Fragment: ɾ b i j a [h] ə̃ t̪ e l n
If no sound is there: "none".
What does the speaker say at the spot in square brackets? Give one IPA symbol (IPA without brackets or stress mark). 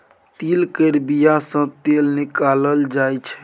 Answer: s